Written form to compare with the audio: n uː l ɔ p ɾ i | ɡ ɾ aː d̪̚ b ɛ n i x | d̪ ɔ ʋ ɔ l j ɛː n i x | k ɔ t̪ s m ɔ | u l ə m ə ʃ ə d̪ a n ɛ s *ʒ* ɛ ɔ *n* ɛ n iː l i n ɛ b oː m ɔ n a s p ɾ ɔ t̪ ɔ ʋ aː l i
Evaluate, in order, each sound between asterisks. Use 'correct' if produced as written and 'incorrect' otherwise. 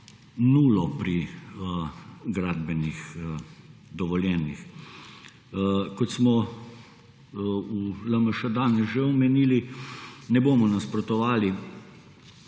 correct, incorrect

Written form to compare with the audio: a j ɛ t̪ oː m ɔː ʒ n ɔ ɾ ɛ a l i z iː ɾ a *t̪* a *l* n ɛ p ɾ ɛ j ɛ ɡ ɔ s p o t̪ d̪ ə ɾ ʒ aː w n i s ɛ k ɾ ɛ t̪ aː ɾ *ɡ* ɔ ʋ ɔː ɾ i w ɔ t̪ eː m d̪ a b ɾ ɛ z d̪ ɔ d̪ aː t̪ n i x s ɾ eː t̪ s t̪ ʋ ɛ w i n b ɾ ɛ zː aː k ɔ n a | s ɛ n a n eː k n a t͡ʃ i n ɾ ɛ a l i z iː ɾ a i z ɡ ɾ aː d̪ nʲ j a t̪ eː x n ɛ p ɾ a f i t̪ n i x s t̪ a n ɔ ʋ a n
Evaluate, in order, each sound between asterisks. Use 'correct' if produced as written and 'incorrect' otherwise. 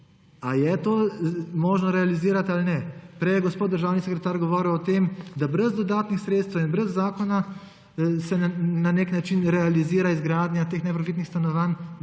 correct, correct, correct

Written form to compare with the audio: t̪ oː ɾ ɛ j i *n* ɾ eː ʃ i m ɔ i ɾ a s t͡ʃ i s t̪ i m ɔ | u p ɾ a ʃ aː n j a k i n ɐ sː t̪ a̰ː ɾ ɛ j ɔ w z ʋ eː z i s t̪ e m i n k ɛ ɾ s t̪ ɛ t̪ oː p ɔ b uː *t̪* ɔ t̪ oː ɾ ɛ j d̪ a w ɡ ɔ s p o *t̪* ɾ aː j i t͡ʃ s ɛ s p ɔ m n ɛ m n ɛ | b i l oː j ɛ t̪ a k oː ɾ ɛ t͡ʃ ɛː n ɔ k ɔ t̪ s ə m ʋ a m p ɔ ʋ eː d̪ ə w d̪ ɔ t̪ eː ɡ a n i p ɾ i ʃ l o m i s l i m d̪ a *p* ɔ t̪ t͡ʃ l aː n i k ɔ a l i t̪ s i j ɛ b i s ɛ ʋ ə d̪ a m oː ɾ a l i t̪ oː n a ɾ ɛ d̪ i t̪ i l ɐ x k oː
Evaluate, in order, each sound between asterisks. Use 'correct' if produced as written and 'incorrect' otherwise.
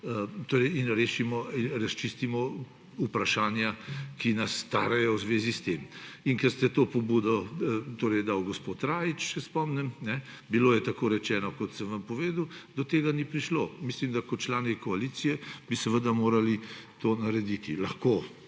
correct, incorrect, correct, incorrect

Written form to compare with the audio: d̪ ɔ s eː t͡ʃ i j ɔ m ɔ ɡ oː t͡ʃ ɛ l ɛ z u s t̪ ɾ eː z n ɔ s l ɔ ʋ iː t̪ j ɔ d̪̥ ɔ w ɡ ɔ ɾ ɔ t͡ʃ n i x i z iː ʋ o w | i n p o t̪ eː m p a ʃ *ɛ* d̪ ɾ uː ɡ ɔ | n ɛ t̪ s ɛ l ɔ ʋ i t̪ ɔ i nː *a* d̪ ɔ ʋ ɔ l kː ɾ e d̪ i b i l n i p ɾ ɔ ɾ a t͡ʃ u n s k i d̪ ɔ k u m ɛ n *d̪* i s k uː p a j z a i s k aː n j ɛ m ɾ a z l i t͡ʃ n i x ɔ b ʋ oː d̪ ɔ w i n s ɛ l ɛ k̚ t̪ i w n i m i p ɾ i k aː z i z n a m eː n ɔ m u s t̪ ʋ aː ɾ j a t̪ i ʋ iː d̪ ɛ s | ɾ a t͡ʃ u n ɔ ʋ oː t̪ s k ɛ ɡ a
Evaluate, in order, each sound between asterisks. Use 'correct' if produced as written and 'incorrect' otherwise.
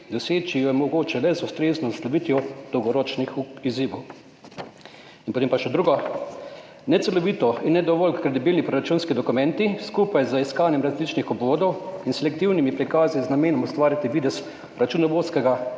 correct, incorrect, incorrect

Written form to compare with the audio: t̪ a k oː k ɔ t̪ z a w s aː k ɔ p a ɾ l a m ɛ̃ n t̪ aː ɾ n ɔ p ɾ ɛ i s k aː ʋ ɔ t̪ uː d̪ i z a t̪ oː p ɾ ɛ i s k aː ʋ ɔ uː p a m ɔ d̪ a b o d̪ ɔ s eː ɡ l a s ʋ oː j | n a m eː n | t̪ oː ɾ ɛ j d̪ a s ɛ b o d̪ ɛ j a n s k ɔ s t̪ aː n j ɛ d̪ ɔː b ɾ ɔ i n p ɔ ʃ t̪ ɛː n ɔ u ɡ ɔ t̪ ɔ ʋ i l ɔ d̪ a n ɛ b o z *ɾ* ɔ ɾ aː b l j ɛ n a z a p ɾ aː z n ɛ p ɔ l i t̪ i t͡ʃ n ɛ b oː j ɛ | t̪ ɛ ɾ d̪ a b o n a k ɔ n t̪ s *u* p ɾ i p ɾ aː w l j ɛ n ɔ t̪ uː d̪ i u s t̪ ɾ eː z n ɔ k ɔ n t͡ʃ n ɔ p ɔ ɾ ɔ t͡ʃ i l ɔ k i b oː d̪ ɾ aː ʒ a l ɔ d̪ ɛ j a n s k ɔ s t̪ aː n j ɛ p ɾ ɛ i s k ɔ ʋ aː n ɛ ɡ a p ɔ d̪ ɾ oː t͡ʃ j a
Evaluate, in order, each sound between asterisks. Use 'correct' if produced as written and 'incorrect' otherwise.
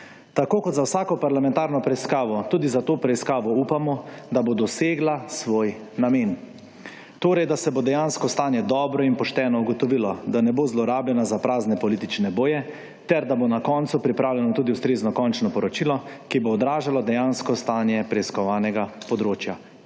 incorrect, correct

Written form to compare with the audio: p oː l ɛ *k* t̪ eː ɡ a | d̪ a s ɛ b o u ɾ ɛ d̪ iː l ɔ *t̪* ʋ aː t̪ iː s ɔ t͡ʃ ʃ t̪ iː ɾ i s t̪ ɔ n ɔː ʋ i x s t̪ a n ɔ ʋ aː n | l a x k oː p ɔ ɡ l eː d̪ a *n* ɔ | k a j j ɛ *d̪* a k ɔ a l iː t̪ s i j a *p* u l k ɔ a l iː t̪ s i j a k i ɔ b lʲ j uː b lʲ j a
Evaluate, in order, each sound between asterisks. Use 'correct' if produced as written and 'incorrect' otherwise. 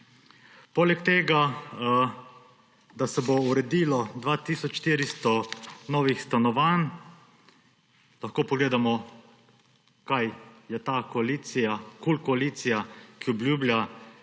correct, incorrect, incorrect, incorrect, incorrect

